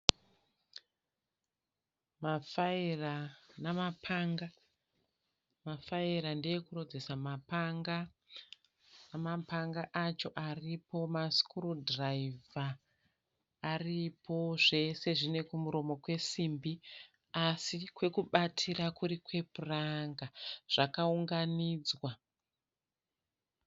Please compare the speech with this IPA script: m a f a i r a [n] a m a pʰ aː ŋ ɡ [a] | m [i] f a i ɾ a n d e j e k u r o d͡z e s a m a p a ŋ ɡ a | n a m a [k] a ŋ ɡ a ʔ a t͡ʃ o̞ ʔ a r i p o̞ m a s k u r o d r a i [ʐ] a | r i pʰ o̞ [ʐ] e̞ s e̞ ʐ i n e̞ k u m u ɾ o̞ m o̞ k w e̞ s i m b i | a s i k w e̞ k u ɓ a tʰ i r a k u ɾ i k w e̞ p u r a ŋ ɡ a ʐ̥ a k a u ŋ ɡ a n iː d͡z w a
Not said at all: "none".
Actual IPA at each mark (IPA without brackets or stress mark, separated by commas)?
n, a, a, p, v, ʐ